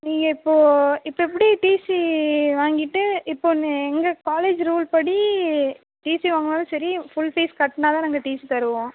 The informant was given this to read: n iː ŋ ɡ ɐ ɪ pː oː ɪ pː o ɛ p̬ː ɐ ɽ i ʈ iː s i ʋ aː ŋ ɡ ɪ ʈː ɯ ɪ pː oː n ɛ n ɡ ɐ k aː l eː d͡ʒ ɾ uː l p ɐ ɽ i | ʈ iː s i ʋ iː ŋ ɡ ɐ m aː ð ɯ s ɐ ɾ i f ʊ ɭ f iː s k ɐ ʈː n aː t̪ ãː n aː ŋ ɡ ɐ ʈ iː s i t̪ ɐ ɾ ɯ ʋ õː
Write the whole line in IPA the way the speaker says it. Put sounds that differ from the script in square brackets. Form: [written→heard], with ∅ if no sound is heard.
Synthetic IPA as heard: n iː ŋ ɡ ɐ ɪ pː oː ɪ pː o ɛ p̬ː ɐ ɽ i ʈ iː s i ʋ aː ŋ ɡ ɪ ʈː ɯ ɪ pː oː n ɛ [n→ŋ] ɡ ɐ k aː l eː d͡ʒ ɾ uː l p ɐ ɽ i | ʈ iː s i ʋ [iː→aː] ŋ ɡ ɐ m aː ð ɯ s ɐ ɾ i f ʊ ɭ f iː s k ɐ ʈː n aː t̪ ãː n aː ŋ ɡ ɐ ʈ iː s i t̪ ɐ ɾ ɯ ʋ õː